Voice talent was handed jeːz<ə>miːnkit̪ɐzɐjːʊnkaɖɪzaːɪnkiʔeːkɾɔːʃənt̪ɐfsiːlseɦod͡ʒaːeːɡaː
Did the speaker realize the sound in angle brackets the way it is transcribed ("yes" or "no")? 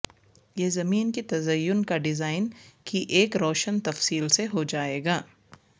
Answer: no